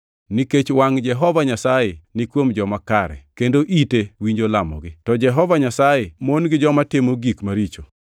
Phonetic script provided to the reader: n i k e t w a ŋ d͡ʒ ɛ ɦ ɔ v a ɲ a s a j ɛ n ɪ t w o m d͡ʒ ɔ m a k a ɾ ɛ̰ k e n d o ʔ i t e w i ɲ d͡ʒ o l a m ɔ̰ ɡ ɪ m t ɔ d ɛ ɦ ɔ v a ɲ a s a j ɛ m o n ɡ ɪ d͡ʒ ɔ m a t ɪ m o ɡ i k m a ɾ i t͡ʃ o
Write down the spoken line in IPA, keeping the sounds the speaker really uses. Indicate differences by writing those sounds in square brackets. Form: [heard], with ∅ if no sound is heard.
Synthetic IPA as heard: n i k e [t͡ʃ] w a ŋ d͡ʒ ɛ ɦ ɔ v a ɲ a s a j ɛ n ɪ [k] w o m d͡ʒ ɔ m a k a ɾ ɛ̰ k e n d o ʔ i t e w i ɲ d͡ʒ o l a m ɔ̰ ɡ ɪ [∅] t ɔ [d͡ʒ] ɛ ɦ ɔ v a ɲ a s a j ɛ m o n ɡ ɪ d͡ʒ ɔ m a t ɪ m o ɡ i k m a ɾ i t͡ʃ o